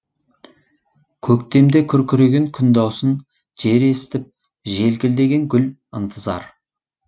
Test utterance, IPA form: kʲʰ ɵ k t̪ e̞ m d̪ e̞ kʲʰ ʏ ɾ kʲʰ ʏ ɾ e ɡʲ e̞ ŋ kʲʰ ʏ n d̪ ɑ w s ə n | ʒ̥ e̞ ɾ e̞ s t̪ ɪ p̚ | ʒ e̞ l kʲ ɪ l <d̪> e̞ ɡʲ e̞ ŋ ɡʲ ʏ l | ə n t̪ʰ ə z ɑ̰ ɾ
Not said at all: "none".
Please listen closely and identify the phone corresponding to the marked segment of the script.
d̪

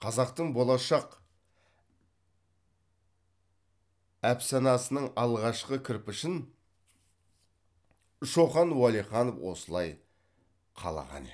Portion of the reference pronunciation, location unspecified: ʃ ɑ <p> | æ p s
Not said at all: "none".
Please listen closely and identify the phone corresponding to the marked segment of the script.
q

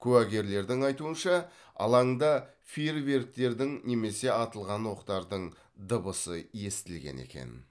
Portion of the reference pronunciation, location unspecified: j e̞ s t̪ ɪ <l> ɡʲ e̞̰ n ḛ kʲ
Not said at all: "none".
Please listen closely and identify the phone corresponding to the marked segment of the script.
l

